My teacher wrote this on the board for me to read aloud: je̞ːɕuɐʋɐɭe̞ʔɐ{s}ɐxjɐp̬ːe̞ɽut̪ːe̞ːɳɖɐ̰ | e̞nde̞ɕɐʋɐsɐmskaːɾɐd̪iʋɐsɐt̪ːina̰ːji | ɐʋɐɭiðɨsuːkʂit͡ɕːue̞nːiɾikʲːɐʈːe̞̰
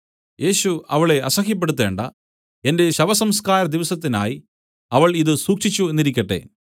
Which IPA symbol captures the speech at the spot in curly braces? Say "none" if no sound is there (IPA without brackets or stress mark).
s